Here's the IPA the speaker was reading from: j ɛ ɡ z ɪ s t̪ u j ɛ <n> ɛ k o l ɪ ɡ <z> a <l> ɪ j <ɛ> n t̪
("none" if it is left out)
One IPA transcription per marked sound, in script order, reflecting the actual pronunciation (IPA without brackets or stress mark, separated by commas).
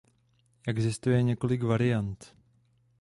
ɲ, v, ɾ, a